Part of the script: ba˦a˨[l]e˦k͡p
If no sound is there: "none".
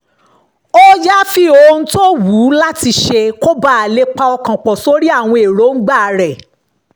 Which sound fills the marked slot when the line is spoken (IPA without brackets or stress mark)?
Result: l